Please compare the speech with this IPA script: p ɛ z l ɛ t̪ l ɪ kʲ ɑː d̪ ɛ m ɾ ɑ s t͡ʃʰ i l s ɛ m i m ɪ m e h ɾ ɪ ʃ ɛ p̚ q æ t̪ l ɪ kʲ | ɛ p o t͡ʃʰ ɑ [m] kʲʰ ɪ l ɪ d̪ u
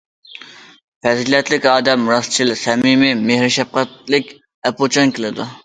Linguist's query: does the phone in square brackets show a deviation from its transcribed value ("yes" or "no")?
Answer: yes